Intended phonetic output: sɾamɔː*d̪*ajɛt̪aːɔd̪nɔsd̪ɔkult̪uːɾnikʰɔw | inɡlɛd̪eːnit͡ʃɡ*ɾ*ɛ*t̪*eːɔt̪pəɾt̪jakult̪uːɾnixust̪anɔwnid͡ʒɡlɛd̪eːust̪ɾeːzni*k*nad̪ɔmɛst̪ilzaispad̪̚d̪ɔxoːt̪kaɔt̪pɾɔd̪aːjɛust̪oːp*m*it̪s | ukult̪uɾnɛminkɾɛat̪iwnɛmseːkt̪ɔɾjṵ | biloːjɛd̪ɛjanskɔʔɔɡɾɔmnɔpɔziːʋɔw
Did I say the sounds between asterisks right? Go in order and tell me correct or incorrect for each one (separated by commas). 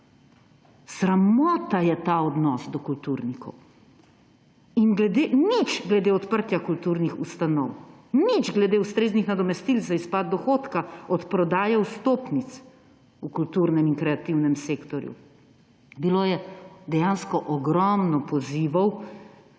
incorrect, incorrect, incorrect, incorrect, incorrect